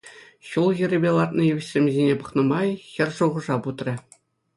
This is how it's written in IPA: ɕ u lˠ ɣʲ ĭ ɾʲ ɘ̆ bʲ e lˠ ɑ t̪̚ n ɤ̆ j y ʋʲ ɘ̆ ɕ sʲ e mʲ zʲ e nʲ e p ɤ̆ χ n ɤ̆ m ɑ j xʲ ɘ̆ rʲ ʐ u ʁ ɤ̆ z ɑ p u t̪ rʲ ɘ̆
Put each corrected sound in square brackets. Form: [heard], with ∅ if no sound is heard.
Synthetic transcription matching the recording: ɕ u lˠ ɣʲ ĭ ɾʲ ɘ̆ bʲ e lˠ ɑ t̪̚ n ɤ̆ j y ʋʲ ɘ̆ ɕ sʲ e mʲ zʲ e nʲ e p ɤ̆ χ n ɤ̆ m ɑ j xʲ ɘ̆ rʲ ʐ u ʁ ɤ̆ [ʐ] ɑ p u t̪ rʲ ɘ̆